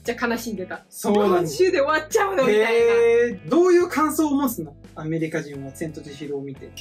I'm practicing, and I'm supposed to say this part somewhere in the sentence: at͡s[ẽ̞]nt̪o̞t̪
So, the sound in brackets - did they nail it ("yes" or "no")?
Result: yes